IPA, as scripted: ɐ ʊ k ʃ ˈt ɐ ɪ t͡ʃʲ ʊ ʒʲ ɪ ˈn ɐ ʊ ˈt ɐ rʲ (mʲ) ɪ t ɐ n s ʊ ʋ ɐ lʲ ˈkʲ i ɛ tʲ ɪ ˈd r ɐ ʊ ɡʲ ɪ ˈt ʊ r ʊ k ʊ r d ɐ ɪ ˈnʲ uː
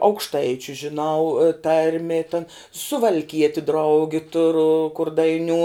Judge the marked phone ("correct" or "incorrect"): correct